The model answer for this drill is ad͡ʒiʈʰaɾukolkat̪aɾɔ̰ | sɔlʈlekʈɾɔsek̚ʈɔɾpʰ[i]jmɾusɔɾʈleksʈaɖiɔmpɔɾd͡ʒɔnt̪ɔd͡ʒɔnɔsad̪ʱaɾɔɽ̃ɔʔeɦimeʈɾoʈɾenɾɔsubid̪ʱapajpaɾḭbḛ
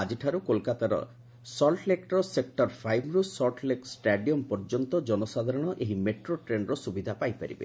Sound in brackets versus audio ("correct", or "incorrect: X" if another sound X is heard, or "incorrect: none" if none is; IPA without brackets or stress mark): incorrect: a